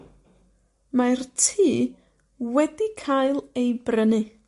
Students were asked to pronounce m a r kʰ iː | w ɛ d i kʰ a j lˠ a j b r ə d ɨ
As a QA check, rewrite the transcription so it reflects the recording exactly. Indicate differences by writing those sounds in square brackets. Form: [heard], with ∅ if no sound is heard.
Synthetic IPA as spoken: m a r [tʰ] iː | w ɛ d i kʰ a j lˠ [e] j b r ə [n] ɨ